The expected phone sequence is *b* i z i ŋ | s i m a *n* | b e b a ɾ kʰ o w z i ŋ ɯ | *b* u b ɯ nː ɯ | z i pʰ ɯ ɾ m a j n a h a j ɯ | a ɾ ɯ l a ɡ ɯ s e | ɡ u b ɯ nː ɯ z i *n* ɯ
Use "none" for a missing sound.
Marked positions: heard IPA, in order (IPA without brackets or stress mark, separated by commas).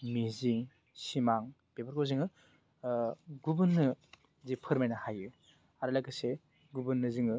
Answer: m, ŋ, ɡ, ŋ